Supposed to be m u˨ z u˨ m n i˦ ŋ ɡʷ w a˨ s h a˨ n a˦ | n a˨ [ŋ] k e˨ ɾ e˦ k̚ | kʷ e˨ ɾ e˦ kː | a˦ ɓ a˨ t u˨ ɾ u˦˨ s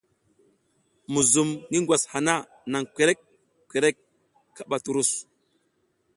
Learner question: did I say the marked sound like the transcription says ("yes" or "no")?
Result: yes